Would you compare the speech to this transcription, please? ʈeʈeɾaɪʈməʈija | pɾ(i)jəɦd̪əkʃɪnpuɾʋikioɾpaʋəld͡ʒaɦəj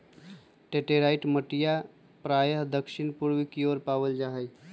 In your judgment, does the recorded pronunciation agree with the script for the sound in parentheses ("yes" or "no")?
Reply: no